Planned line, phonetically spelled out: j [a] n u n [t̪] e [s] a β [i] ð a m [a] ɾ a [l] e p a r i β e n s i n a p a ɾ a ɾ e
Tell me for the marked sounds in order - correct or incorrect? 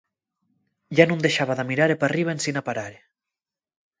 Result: correct, incorrect, incorrect, incorrect, incorrect, incorrect

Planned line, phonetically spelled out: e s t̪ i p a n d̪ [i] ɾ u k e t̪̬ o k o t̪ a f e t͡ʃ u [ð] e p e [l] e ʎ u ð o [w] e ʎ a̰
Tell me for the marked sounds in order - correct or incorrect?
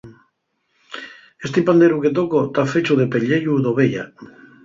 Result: incorrect, correct, incorrect, incorrect

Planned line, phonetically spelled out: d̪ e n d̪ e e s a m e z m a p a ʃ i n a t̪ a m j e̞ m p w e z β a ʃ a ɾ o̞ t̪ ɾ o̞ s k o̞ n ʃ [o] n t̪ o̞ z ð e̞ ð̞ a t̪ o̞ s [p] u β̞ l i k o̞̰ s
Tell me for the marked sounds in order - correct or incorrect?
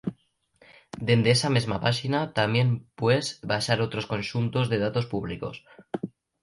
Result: incorrect, correct

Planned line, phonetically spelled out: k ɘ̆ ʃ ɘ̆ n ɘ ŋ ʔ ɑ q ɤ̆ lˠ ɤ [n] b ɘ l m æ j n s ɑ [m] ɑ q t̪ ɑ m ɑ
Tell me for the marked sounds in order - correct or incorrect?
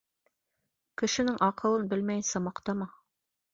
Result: correct, correct

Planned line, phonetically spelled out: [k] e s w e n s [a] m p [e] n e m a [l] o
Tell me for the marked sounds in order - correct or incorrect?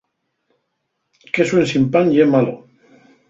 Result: correct, incorrect, incorrect, correct

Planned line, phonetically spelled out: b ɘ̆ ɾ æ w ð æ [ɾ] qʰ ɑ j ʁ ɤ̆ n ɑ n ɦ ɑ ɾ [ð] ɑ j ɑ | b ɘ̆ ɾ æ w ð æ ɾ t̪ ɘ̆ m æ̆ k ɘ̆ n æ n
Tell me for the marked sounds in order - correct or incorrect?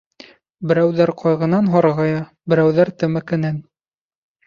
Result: correct, incorrect

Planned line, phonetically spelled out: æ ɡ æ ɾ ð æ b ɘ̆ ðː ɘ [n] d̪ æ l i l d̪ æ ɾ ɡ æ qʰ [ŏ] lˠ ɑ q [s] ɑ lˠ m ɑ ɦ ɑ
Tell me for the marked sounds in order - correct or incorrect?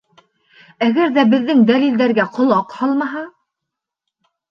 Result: incorrect, correct, incorrect

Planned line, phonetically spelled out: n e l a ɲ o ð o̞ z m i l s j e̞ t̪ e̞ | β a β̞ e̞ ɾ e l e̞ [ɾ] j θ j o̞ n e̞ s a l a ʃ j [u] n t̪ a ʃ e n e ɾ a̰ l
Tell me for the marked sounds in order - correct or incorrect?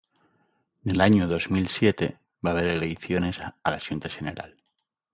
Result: incorrect, correct

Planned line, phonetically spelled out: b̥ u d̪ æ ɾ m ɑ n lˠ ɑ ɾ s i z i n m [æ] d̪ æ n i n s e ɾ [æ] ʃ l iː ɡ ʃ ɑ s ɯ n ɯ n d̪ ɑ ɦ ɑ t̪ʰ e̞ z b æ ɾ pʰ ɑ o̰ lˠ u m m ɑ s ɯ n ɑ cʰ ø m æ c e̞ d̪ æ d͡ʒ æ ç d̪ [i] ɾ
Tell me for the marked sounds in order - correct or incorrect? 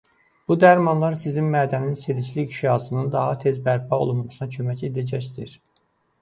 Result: incorrect, incorrect, correct

